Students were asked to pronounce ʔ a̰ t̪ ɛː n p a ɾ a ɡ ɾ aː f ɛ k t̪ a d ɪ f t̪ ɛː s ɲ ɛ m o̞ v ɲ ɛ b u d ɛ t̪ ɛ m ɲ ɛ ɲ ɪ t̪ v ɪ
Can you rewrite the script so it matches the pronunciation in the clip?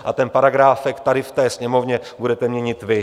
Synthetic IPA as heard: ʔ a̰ t̪ ɛ n p a ɾ a ɡ ɾ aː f ɛ k t̪ a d ɪ f t̪ ɛː s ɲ ɛ m o̞ v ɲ ɛ b u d ɛ t̪ ɛ m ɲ ɛ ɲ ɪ t̪ v ɪ